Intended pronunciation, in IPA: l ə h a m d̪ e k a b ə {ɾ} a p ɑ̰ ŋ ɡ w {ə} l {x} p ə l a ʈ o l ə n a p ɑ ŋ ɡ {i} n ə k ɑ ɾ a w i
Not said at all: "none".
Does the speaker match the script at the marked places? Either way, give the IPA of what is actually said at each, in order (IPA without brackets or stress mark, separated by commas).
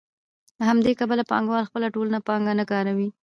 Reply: l, ɑ, x, a